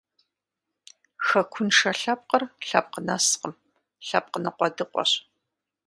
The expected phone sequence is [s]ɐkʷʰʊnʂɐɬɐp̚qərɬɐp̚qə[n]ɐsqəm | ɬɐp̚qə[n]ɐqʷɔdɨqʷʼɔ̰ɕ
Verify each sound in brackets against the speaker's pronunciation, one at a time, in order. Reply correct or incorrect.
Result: incorrect: x, correct, correct

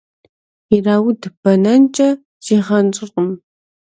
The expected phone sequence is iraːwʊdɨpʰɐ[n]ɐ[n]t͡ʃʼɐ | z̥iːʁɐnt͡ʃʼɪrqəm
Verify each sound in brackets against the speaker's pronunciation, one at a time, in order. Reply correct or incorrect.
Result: correct, correct

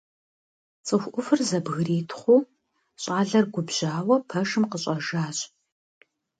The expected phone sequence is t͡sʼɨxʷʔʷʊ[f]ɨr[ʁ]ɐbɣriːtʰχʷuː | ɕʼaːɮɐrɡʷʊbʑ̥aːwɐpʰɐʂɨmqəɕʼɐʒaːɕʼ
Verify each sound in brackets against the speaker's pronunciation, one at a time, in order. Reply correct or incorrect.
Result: correct, incorrect: z

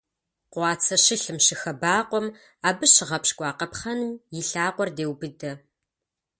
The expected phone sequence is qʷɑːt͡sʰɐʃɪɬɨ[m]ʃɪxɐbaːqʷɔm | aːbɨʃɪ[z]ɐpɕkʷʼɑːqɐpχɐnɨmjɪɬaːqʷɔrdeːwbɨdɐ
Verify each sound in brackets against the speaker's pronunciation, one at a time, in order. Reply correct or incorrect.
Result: correct, incorrect: ʁ

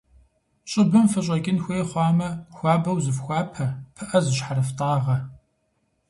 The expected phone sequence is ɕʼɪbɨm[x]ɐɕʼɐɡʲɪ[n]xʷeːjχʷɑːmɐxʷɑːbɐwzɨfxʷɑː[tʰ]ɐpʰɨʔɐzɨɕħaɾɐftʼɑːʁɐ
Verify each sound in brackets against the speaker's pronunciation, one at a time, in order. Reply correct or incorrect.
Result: incorrect: f, correct, incorrect: pʰ

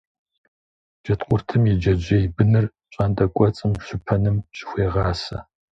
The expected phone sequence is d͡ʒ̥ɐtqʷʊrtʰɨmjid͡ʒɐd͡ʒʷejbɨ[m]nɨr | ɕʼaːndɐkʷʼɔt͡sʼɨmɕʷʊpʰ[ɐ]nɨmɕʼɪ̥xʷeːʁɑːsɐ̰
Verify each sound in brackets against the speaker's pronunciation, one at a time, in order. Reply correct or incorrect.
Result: incorrect: none, correct

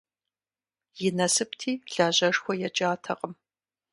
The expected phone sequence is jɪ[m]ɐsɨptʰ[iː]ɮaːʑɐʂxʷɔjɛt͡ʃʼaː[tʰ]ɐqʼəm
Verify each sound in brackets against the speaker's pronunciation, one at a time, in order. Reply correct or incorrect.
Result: incorrect: n, correct, correct

